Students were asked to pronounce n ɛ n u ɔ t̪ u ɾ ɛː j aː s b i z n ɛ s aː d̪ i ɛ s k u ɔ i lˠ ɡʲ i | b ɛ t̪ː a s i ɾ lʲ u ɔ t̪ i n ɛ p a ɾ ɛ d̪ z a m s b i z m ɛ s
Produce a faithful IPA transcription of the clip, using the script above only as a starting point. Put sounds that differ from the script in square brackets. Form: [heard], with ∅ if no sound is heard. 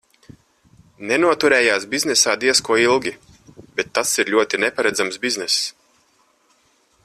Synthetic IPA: n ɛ n u ɔ t̪ u ɾ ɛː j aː s b i z n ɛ s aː d̪ i ɛ s k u ɔ i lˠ ɡʲ i | b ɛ t̪ː a s i ɾ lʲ u ɔ t̪ i n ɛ p a ɾ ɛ d̪ z a m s b i z [n] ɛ s